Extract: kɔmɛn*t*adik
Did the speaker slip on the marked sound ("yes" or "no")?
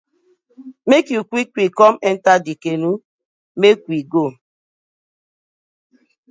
no